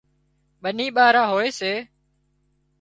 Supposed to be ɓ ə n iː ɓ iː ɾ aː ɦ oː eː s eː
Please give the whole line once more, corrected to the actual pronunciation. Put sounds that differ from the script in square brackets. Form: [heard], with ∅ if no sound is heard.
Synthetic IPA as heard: ɓ ə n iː ɓ [aː] ɾ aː ɦ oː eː s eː

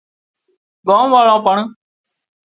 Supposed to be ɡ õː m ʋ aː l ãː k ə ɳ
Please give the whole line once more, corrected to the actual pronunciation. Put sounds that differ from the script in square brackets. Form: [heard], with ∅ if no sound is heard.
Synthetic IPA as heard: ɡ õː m ʋ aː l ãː [p] ə ɳ

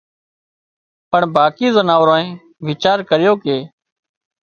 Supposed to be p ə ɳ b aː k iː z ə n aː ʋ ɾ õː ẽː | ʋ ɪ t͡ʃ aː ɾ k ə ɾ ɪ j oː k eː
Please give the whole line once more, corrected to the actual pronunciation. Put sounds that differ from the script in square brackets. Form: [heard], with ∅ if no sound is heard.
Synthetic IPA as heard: p ə ɳ b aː k iː z ə n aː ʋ ɾ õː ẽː | ʋ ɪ t͡ʃ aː ɾ k ə ɾ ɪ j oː k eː

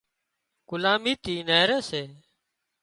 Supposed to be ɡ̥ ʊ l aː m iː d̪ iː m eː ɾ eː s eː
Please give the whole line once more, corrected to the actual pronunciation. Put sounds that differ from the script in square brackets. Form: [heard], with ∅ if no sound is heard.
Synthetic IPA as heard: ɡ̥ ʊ l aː m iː [t̪] iː [n] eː ɾ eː s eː

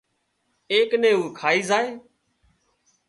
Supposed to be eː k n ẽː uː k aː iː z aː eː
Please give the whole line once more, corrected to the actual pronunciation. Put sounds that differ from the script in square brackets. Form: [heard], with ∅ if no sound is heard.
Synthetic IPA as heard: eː k n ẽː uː [kʰ] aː iː z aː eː

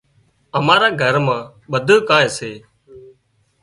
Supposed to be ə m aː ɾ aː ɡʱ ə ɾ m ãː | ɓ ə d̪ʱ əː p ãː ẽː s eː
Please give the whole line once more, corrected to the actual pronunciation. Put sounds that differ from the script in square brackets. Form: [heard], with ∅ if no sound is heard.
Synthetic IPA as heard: ə m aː ɾ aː ɡʱ ə ɾ m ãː | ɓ ə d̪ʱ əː [k] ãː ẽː s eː

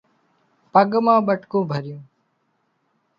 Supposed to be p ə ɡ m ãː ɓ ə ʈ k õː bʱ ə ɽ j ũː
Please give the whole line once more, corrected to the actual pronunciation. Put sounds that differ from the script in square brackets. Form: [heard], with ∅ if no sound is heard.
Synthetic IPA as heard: p ə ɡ m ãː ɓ ə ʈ k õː bʱ ə [ɾ] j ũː

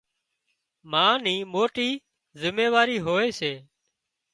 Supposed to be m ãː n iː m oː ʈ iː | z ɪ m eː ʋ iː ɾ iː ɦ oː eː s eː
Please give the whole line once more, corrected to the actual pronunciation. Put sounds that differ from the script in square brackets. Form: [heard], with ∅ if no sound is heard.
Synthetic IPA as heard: m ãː n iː m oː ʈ iː | z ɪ m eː ʋ [aː] ɾ iː ɦ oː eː s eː

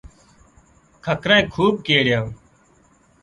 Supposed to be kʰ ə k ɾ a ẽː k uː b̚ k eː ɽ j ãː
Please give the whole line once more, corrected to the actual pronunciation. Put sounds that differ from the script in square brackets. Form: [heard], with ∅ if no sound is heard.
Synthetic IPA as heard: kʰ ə k ɾ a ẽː [kʰ] uː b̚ k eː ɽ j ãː

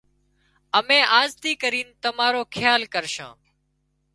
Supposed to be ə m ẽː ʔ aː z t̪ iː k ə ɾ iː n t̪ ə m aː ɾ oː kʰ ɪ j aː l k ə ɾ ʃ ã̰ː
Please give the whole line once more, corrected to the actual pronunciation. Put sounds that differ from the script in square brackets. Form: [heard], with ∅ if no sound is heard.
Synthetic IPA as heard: ə m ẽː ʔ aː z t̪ iː k ə ɾ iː n t̪ ə m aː ɾ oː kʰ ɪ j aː l k ə ɾ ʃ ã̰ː

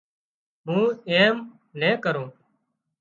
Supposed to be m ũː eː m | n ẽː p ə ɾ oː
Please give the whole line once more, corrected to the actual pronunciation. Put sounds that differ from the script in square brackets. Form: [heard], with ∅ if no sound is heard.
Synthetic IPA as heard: m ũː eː m | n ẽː [k] ə ɾ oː

